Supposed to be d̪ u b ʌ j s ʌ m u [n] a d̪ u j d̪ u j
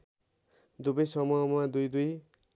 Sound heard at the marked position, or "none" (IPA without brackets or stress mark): m